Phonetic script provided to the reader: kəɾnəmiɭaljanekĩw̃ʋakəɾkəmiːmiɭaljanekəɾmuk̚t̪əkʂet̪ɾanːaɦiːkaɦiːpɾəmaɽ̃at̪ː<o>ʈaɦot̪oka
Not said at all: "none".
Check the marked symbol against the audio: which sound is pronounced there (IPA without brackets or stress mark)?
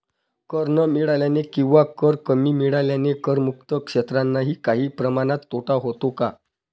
o